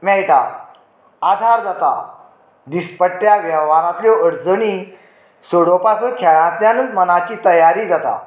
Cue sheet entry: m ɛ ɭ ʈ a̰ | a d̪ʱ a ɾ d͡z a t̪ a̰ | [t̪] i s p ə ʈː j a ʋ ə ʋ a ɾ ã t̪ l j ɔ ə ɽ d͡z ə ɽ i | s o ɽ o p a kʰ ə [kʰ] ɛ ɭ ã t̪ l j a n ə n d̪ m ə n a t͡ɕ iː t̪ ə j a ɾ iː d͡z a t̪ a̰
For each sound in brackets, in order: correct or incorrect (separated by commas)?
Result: incorrect, correct